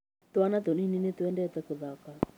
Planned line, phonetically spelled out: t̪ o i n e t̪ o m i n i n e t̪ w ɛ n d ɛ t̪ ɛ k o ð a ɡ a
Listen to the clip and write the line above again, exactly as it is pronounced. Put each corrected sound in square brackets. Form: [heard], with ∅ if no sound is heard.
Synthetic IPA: t̪ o [a] n [a] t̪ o [n] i n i n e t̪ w ɛ n d ɛ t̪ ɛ k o ð a [k] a